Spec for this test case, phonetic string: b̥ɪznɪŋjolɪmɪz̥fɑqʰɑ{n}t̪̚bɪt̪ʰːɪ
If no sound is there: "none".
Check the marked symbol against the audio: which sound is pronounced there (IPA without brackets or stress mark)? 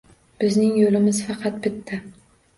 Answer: none